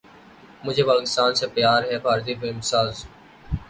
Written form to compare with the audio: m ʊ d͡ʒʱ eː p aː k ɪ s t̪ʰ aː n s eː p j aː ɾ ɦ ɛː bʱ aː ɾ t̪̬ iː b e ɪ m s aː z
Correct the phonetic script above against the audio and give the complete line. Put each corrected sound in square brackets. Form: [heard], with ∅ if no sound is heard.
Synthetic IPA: m ʊ d͡ʒʱ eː p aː k ɪ s [t̪] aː n s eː p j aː ɾ ɦ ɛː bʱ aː ɾ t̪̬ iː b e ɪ m s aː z